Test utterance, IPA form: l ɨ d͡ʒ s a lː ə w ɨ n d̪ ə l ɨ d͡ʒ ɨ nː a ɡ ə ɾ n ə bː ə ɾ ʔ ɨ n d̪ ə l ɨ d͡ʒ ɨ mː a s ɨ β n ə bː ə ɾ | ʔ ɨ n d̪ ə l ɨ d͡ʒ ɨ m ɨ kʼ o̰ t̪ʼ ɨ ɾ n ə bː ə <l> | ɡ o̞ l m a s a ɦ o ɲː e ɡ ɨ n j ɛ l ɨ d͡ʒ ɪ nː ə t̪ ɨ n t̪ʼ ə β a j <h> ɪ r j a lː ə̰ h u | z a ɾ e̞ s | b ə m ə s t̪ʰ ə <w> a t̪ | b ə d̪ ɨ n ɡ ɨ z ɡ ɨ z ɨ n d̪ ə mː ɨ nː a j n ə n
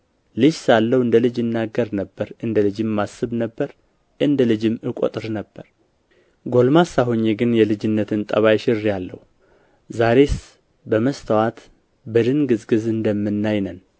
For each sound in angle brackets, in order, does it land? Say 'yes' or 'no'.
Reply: no, no, yes

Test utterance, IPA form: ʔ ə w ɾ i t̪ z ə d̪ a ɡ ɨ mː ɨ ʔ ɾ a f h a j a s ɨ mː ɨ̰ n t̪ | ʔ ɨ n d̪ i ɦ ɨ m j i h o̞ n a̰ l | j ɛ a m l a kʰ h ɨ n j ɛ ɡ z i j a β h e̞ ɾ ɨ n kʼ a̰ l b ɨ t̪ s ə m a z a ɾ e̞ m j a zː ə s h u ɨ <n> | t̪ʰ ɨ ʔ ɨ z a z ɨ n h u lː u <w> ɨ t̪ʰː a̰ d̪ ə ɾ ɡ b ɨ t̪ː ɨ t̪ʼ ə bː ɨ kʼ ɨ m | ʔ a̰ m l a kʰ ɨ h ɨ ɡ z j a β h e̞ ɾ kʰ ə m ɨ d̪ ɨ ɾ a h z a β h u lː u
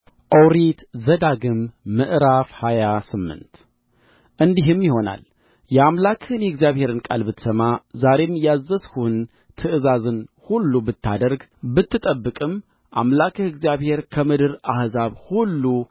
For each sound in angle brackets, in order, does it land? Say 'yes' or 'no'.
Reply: yes, no

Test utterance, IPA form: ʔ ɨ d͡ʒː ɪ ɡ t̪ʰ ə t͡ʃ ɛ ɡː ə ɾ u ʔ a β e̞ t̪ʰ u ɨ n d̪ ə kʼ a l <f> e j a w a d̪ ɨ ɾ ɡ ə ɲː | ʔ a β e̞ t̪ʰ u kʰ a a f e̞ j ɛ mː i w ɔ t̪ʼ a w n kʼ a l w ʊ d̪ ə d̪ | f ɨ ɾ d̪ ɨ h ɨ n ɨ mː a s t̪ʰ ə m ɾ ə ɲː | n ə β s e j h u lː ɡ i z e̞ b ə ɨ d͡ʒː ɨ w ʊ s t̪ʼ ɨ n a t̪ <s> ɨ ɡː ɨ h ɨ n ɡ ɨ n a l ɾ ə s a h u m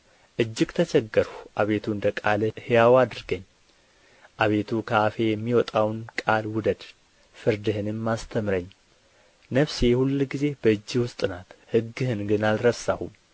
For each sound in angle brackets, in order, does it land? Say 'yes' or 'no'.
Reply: no, no

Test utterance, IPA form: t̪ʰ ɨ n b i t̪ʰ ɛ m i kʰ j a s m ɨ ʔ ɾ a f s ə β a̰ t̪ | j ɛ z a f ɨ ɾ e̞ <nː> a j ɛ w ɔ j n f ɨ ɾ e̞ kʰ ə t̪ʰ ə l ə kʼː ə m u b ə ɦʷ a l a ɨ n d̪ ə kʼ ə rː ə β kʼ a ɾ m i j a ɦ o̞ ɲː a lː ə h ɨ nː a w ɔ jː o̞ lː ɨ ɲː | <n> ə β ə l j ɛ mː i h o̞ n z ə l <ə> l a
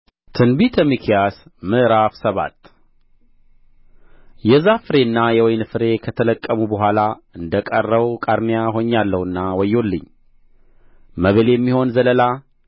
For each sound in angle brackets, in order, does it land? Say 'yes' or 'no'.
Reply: yes, no, yes

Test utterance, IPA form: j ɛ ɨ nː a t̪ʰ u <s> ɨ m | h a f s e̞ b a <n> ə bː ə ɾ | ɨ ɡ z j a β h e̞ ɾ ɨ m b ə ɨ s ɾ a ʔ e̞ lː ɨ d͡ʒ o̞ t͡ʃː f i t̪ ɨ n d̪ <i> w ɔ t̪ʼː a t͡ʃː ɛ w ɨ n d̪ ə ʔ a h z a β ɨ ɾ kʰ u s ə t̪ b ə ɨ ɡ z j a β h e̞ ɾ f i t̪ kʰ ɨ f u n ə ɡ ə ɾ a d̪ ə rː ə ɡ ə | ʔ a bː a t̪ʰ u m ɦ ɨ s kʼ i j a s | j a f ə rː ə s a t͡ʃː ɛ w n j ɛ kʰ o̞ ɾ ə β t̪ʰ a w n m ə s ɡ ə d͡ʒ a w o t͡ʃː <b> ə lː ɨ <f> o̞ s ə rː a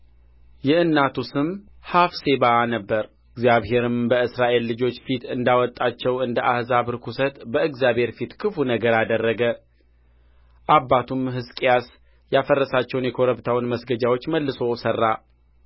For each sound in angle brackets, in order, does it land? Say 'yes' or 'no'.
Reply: yes, yes, no, no, no

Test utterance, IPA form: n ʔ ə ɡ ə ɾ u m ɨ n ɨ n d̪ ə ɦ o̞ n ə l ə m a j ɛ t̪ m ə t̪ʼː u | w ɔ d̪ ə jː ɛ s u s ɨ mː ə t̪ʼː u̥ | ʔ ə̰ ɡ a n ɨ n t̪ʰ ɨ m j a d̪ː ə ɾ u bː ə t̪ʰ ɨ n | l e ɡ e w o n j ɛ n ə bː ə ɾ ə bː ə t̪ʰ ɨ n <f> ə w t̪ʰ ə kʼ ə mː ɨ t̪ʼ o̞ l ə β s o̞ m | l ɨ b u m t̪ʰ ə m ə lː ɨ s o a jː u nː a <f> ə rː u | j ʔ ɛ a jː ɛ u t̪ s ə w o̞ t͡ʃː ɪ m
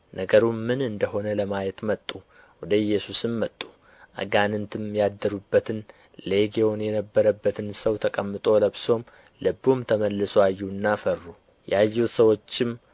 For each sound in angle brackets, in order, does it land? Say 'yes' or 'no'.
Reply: no, yes

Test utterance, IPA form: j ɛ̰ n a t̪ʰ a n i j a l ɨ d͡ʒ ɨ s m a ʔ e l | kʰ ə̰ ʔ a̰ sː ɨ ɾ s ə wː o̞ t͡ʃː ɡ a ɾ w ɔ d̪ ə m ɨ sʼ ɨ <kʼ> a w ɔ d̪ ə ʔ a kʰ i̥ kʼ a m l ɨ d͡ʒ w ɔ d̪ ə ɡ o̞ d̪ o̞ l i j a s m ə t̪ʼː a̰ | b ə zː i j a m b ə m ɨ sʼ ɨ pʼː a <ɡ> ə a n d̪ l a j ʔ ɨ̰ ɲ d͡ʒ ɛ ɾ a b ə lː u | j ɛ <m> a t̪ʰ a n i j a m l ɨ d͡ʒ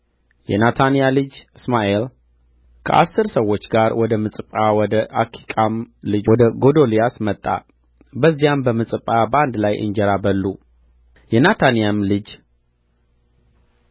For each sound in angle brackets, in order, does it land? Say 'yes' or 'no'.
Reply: no, no, no

